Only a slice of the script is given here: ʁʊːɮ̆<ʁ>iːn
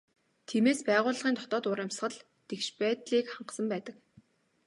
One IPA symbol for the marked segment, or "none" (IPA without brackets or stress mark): ʁ